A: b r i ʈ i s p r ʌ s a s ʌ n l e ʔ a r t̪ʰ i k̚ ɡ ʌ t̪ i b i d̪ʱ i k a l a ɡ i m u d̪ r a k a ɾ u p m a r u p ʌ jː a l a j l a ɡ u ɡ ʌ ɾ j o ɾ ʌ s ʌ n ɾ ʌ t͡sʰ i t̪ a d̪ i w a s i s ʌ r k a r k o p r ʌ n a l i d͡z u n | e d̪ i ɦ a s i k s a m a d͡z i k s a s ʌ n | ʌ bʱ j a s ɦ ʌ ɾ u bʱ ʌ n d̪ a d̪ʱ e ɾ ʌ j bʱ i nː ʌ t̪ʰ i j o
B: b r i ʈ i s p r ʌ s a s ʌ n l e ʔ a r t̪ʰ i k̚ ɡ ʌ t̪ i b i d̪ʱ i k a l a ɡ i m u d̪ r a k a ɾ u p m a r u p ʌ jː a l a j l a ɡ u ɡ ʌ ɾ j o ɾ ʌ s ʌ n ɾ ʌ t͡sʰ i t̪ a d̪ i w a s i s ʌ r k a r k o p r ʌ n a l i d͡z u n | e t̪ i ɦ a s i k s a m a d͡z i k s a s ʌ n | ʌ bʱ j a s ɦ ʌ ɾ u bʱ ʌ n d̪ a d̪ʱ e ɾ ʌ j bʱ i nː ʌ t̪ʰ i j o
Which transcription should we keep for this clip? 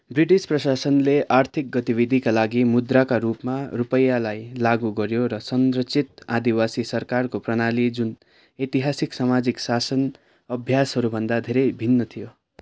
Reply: B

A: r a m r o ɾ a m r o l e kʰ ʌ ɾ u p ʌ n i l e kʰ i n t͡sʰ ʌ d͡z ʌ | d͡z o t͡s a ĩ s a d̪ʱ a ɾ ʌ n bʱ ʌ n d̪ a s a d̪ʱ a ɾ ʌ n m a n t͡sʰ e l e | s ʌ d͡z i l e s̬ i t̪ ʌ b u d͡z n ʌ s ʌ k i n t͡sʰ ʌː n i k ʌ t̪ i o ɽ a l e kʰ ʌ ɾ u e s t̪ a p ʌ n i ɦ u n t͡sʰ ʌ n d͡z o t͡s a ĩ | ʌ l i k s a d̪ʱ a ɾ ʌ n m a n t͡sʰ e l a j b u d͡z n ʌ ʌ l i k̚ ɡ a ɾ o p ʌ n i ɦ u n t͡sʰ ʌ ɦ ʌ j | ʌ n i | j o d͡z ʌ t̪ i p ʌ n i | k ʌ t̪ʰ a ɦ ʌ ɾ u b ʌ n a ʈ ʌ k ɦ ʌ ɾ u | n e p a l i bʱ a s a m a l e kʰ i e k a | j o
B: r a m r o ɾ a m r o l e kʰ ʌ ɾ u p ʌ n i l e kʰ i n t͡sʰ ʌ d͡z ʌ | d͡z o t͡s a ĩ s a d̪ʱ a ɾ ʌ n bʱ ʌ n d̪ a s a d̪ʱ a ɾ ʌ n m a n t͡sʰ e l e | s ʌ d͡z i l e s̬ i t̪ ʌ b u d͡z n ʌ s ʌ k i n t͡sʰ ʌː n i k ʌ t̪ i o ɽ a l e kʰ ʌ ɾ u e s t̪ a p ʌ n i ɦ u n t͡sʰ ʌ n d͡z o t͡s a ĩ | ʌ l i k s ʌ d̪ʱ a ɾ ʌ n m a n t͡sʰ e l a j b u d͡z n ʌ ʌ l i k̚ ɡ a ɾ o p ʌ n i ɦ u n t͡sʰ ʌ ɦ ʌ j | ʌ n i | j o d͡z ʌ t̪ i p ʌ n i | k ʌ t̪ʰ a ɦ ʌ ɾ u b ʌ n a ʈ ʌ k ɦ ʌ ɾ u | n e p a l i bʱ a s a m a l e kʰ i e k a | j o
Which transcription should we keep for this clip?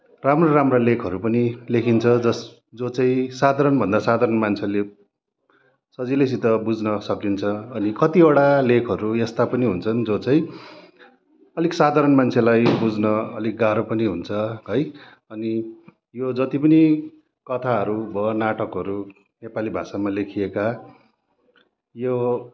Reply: A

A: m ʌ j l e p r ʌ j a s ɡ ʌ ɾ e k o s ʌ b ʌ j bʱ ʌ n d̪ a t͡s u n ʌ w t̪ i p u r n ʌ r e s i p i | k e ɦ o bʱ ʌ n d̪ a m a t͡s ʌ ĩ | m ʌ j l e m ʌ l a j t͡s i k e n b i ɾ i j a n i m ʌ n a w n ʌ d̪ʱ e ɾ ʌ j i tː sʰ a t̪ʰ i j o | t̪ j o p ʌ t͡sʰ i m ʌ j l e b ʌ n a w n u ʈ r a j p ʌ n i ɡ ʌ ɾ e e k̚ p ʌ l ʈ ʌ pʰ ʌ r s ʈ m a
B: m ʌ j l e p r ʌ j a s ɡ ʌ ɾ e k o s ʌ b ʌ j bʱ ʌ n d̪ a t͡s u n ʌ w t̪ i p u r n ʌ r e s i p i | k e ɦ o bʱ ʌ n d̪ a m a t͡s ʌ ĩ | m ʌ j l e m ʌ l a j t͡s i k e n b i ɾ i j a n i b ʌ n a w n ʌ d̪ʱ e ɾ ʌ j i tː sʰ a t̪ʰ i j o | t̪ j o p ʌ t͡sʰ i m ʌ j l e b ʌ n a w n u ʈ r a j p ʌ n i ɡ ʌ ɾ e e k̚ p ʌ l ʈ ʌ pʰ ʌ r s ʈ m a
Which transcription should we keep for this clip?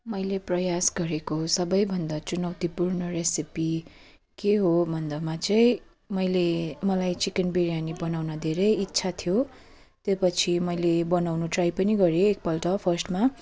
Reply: B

